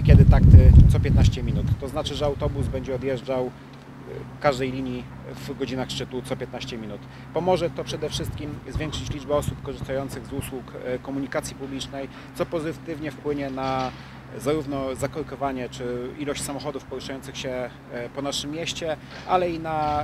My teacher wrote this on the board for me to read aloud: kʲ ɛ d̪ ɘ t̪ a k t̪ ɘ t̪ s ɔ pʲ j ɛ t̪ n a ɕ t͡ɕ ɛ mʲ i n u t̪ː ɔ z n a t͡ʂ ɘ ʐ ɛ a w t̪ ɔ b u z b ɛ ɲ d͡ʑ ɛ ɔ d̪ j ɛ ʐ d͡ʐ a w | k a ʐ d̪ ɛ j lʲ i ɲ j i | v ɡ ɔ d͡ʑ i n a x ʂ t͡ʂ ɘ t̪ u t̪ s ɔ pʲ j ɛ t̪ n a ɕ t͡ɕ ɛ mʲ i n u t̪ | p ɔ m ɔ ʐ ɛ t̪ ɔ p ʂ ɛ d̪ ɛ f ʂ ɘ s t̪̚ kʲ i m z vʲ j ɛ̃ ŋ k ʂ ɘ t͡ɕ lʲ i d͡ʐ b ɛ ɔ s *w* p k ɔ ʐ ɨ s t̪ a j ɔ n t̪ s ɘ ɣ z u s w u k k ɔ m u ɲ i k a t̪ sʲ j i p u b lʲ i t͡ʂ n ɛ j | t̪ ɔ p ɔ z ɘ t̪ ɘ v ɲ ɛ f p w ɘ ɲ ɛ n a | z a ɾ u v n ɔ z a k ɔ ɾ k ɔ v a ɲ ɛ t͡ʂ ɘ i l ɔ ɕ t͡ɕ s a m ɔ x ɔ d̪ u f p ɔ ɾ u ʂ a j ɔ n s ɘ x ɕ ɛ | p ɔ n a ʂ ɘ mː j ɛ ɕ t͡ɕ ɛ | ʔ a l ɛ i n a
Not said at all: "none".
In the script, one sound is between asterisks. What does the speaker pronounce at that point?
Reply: u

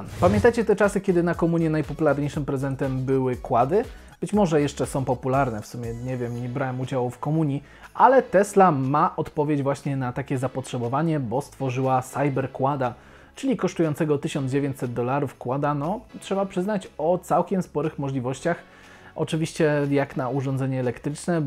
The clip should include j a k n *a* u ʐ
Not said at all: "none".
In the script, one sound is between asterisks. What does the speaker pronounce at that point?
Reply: a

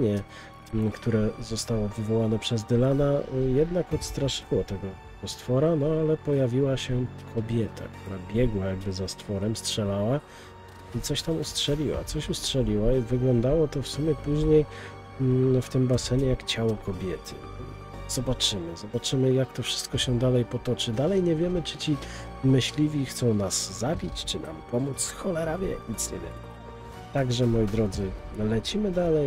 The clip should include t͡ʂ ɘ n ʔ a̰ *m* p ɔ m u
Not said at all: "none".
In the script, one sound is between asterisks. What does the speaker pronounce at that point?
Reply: m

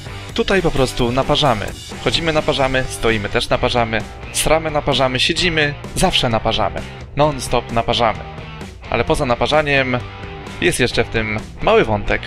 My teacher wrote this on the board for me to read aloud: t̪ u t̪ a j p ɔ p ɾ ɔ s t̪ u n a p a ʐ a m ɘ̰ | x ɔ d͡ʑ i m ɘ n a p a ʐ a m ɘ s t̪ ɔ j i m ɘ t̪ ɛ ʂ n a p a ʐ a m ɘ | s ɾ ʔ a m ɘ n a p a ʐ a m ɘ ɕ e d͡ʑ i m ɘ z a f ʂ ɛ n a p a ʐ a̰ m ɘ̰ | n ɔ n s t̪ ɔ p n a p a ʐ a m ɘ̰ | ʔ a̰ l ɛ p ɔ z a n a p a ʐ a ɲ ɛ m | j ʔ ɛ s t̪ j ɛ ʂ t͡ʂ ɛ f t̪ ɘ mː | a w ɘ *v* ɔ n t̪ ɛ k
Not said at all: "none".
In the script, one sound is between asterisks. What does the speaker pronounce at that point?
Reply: v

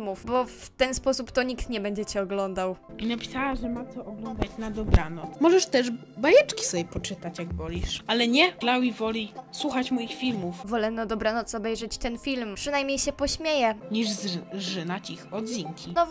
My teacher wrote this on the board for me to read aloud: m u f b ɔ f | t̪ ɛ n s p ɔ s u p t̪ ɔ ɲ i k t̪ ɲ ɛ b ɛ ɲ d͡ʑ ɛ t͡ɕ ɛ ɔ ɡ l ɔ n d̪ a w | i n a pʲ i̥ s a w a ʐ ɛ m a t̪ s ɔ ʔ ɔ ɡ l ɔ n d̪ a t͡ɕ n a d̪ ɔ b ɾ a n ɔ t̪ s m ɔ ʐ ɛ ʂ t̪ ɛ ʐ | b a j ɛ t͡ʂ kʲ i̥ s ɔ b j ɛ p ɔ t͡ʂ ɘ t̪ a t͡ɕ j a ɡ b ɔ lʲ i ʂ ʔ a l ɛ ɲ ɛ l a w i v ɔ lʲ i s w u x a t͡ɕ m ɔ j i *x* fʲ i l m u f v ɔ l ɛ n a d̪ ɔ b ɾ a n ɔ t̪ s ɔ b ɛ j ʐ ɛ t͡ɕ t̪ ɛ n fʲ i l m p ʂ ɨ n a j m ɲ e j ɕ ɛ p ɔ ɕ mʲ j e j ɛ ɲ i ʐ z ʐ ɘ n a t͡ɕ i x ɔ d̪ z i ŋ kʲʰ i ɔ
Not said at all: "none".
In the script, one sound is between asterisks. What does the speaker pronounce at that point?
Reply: x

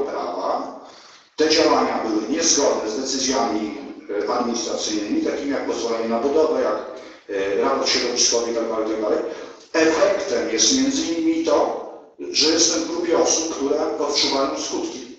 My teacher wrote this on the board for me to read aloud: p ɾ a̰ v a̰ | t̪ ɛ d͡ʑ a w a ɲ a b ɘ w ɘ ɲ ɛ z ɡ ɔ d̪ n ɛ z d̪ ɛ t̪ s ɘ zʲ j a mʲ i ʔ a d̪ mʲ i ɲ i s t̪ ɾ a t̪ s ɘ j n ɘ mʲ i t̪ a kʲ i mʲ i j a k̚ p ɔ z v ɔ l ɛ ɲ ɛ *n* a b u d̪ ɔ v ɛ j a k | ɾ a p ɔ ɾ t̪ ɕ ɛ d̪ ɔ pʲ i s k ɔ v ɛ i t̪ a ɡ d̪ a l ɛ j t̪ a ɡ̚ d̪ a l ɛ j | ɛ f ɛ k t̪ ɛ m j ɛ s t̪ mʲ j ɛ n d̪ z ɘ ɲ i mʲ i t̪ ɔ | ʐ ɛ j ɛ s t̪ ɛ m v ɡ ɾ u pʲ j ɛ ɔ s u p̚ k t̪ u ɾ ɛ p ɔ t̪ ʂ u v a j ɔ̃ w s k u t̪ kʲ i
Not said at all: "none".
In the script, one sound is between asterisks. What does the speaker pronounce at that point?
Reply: n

